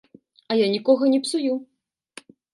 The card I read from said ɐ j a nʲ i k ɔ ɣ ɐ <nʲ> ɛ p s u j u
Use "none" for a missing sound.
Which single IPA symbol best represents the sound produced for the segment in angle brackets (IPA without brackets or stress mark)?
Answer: nʲ